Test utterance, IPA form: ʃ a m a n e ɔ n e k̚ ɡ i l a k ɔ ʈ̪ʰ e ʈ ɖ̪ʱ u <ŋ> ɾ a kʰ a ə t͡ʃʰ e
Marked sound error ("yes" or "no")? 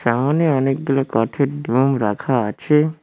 yes